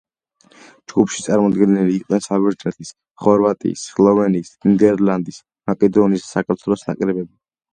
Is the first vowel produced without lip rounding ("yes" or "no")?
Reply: no